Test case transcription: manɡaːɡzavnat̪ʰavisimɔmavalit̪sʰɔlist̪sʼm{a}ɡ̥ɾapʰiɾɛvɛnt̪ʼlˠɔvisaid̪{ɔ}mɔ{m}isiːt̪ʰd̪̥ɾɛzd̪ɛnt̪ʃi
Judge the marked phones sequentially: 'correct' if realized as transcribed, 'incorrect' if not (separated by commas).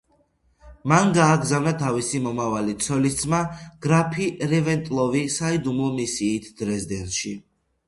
correct, incorrect, correct